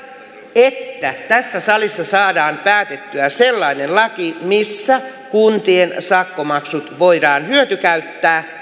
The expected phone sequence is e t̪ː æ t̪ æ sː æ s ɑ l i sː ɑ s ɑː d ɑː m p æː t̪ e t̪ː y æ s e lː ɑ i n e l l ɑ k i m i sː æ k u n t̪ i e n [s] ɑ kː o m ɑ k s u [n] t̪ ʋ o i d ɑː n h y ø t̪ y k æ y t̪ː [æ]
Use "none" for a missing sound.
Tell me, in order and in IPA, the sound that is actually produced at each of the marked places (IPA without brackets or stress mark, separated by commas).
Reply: s, none, æː